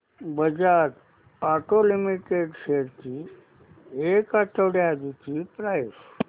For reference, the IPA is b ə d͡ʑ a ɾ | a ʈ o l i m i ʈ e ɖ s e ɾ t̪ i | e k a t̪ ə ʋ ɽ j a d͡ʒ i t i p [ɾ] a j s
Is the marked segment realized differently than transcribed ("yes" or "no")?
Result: no